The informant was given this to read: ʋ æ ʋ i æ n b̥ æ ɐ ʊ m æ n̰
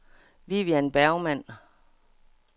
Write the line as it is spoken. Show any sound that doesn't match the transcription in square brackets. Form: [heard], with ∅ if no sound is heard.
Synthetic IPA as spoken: ʋ [i] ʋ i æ n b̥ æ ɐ ʊ m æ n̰